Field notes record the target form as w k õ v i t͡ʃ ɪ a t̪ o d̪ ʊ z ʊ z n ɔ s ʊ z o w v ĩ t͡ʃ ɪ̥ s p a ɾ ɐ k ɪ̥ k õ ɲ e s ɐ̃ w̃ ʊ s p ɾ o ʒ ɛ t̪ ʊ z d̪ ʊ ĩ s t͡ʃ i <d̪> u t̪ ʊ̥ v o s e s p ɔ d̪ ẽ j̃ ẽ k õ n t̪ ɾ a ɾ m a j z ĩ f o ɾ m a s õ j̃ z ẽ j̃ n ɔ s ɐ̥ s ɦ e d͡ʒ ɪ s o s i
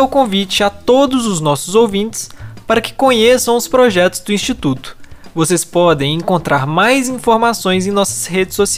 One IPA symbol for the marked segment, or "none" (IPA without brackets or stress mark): t̪